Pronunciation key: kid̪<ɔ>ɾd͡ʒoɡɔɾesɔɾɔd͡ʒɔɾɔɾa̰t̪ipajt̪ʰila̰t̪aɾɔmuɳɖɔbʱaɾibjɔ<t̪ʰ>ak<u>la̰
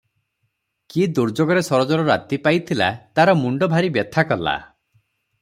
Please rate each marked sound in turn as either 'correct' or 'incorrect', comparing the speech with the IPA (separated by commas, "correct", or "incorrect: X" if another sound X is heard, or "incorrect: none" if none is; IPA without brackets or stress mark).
incorrect: u, correct, incorrect: ɔ